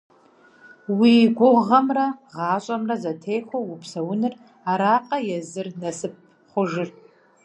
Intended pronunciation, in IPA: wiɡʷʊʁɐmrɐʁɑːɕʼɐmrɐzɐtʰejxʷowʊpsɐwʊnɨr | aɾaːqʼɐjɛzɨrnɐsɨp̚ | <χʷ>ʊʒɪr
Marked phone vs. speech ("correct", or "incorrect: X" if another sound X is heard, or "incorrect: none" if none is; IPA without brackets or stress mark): correct